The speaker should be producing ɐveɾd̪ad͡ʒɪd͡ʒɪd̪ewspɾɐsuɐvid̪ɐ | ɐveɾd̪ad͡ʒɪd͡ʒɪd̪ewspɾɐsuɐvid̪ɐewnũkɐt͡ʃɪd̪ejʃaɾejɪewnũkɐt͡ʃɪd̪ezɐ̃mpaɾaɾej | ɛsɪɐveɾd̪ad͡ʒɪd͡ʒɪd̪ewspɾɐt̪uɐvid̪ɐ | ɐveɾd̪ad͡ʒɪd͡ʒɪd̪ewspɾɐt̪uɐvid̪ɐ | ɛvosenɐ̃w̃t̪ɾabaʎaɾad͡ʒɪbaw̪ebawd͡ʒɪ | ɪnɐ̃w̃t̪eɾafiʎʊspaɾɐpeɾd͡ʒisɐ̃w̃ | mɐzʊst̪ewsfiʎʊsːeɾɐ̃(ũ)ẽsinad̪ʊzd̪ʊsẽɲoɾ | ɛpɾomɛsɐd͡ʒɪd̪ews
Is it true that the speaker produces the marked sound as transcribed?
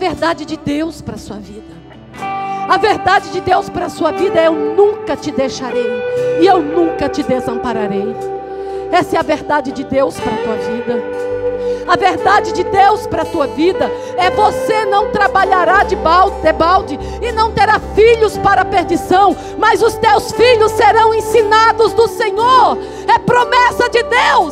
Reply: no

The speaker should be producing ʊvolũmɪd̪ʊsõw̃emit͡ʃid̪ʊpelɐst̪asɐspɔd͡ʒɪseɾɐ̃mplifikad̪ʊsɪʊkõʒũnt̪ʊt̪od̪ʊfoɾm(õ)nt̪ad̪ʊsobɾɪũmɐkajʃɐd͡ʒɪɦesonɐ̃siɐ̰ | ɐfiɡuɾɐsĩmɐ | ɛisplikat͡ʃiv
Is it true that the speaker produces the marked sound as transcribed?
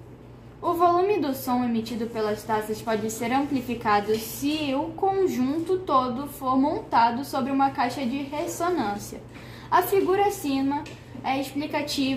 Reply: yes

